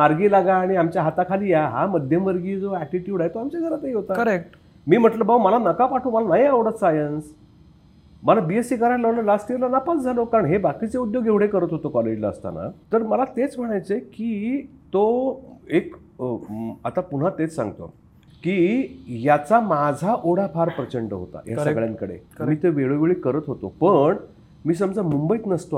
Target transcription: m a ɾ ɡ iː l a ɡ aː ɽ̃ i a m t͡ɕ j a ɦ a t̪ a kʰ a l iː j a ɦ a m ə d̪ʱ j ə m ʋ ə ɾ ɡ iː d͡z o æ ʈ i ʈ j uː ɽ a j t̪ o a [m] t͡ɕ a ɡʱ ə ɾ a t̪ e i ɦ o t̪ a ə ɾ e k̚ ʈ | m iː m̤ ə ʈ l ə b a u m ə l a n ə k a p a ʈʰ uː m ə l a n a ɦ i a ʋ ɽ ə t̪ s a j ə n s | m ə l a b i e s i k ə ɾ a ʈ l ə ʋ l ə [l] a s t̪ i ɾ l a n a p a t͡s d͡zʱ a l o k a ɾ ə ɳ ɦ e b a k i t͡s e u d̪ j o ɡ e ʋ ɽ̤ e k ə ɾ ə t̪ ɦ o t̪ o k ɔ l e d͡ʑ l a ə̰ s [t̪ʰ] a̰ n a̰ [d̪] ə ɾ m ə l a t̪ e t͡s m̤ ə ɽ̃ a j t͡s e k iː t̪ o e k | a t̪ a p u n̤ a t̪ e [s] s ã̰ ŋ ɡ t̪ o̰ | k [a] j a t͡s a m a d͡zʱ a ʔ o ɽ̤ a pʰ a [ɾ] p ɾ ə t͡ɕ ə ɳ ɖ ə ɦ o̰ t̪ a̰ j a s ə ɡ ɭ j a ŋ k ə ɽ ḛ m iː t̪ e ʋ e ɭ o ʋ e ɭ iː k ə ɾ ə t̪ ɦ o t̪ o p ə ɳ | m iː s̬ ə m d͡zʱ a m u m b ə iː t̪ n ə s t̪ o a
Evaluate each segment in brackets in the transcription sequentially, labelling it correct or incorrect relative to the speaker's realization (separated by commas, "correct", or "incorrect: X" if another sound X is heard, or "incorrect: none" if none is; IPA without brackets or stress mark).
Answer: correct, correct, incorrect: t̪, incorrect: t̪, incorrect: t͡s, incorrect: i, correct